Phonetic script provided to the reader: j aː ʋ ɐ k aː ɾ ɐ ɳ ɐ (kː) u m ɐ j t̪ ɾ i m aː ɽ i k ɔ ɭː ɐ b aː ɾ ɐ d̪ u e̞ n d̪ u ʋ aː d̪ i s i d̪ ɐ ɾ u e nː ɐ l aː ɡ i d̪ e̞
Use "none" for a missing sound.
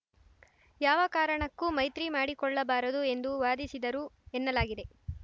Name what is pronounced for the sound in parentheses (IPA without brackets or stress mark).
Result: kː